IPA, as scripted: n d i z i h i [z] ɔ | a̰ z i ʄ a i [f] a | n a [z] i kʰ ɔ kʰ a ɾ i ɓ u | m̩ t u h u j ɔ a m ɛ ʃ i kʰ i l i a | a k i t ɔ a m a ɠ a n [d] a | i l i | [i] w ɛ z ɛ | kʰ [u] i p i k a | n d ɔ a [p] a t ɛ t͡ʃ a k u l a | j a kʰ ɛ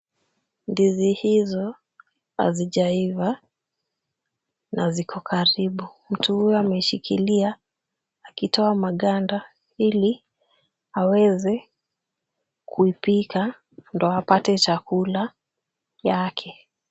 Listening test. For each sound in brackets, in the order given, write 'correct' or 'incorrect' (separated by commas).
correct, incorrect, correct, correct, incorrect, correct, correct